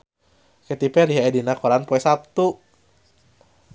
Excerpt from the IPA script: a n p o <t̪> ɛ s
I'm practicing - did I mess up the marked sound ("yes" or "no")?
yes